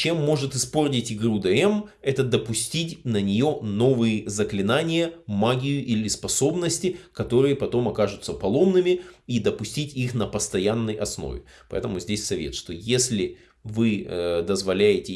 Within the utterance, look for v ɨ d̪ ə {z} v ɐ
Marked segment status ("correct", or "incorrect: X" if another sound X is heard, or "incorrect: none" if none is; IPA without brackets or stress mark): correct